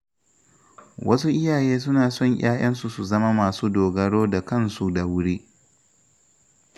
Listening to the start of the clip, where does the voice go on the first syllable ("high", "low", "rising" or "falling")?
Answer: high